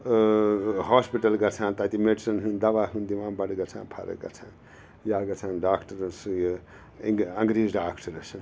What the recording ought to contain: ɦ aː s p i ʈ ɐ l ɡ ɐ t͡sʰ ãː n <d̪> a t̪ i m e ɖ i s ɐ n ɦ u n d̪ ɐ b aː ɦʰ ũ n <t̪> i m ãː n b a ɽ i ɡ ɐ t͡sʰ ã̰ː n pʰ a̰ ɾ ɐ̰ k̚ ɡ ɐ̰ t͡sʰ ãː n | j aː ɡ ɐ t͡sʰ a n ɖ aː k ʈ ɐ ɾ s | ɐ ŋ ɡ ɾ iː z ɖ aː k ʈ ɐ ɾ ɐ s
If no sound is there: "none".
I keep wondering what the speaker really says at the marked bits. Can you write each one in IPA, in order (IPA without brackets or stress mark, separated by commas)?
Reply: t̪, d̪